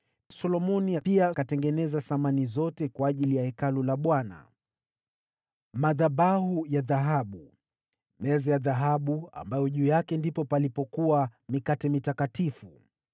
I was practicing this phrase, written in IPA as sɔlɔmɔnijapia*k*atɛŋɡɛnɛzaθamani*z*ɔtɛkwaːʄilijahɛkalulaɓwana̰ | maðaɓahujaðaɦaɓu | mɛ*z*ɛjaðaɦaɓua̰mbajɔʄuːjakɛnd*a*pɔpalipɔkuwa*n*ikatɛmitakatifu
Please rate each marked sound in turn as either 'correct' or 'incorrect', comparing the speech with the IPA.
correct, correct, correct, incorrect, incorrect

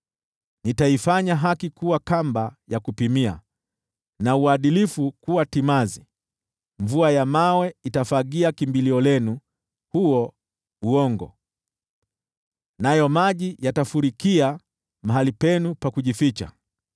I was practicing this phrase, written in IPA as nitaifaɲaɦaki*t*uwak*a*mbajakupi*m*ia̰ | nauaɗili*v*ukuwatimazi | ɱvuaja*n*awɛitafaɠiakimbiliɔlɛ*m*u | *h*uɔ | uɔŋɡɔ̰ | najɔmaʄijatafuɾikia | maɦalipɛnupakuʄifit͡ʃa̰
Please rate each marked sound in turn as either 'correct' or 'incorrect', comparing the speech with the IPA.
incorrect, correct, correct, incorrect, incorrect, incorrect, correct

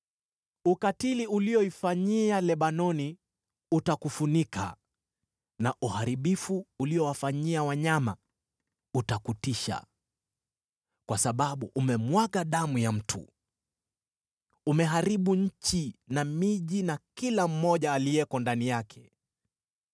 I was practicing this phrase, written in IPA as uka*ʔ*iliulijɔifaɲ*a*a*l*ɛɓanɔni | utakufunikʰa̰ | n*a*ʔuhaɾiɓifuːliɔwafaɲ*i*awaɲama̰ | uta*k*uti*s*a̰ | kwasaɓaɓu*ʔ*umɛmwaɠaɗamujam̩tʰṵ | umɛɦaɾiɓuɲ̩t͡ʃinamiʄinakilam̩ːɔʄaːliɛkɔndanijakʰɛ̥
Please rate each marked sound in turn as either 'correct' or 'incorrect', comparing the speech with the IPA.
incorrect, incorrect, correct, correct, correct, correct, incorrect, correct

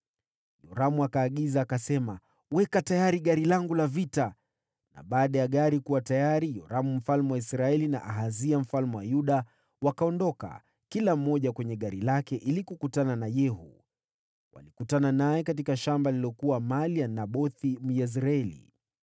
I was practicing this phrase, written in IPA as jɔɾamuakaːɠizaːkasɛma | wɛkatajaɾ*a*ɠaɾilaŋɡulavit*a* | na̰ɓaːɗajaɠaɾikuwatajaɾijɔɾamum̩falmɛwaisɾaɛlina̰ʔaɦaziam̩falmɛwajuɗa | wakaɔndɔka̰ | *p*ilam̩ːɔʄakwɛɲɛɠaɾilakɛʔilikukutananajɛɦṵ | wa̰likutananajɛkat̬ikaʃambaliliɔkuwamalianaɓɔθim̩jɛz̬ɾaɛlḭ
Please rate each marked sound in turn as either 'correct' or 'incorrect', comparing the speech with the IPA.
incorrect, correct, incorrect

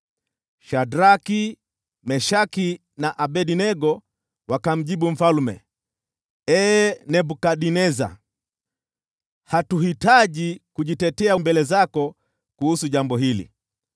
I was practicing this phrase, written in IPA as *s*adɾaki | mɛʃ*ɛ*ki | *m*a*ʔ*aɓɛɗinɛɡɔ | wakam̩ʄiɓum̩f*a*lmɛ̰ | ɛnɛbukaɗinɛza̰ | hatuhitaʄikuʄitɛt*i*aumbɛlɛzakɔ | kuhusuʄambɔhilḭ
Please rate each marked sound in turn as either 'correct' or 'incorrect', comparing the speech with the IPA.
incorrect, incorrect, incorrect, correct, correct, incorrect

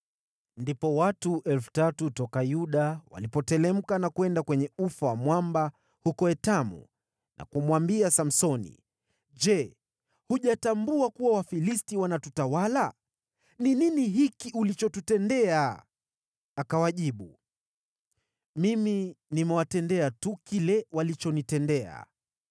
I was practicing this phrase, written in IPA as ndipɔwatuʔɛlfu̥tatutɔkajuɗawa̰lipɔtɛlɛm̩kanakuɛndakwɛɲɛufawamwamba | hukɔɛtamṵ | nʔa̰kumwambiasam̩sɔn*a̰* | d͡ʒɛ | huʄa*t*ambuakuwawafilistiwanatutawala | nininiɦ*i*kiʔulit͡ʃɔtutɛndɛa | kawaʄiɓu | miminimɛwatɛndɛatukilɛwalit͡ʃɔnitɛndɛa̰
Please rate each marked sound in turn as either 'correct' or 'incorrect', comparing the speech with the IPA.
incorrect, correct, correct

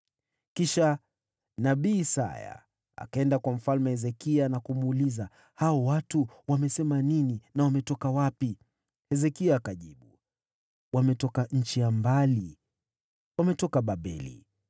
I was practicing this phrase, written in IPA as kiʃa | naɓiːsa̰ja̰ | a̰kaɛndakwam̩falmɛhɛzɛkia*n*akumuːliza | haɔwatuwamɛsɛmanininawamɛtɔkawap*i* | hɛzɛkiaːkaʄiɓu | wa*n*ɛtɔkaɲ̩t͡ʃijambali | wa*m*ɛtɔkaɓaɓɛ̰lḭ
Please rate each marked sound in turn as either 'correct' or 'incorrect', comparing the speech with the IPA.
correct, correct, incorrect, correct

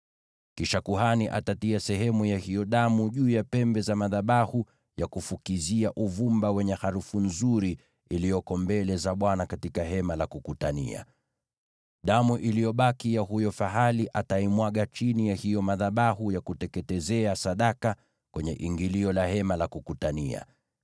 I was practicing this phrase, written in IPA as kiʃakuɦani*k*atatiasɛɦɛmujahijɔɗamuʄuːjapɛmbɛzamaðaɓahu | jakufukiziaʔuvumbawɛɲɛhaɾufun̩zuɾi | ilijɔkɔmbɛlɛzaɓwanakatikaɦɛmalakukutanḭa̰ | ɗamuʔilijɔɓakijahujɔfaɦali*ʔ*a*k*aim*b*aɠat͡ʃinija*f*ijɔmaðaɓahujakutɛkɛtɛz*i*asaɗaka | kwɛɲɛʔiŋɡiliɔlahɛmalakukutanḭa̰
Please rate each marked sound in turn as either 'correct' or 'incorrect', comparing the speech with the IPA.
incorrect, correct, incorrect, incorrect, incorrect, incorrect

